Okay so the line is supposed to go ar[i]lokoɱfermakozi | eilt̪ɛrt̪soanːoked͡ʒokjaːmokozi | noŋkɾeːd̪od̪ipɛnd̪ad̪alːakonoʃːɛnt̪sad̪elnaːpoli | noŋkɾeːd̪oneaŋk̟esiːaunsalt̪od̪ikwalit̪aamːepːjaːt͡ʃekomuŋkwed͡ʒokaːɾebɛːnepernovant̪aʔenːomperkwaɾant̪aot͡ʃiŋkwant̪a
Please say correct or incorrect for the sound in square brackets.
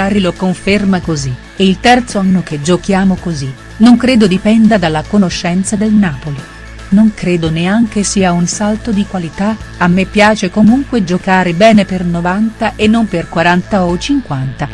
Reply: correct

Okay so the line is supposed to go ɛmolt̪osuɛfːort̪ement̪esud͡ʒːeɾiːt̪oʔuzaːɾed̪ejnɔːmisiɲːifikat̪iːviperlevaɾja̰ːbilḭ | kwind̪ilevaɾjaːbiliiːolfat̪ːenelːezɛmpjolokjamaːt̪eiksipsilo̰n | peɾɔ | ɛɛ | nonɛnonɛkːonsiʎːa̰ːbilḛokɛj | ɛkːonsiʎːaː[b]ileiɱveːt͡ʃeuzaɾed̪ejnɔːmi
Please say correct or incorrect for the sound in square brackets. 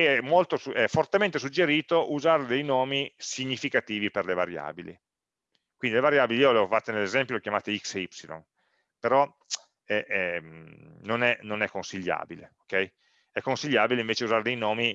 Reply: correct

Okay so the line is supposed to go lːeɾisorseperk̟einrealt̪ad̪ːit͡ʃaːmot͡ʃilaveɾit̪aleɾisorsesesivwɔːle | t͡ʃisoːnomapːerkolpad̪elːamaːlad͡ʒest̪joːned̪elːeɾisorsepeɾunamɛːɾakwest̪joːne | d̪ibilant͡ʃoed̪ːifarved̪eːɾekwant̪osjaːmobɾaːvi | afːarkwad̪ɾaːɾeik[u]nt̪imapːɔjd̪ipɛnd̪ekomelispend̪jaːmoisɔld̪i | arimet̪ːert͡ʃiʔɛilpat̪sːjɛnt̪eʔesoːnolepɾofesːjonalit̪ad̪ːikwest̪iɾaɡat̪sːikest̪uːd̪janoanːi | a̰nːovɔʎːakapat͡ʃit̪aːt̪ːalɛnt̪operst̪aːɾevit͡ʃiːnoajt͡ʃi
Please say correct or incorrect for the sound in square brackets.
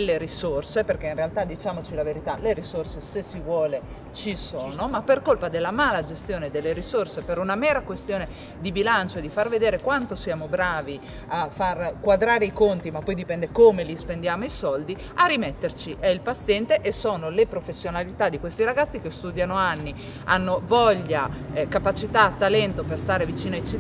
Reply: incorrect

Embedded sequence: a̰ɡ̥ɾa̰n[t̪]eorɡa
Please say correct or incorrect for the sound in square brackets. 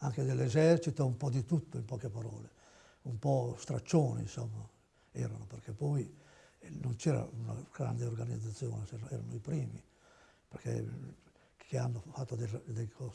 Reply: incorrect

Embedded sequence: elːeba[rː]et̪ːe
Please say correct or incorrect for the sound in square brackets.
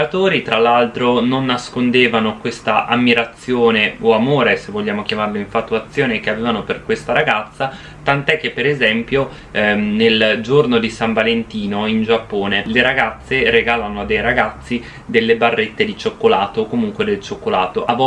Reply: correct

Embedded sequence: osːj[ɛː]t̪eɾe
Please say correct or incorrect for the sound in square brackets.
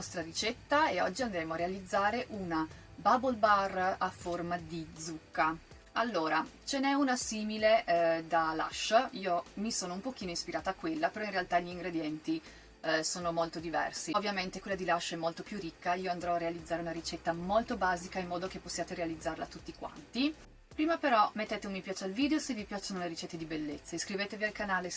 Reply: incorrect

